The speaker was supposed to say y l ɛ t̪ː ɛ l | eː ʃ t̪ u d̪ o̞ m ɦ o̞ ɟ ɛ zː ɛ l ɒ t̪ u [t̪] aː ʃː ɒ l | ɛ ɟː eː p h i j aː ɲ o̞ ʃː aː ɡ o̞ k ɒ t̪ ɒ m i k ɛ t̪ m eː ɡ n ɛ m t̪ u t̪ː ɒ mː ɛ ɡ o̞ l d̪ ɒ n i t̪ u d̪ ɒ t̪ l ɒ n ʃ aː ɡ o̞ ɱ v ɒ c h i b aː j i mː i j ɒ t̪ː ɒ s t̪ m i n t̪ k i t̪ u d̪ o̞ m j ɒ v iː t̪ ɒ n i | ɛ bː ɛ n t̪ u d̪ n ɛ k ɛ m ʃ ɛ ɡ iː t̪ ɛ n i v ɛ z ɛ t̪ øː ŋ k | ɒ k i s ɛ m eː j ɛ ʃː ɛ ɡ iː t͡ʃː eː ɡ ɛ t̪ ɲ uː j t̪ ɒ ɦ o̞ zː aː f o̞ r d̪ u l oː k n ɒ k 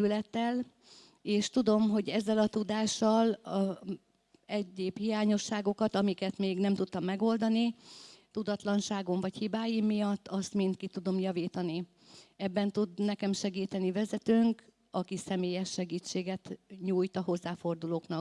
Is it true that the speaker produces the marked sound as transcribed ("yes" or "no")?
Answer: no